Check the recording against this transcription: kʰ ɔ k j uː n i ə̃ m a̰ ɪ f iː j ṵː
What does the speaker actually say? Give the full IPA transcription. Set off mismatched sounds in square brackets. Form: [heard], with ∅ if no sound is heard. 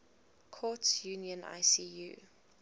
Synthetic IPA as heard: kʰ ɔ [t] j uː n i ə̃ [n] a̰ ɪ [s] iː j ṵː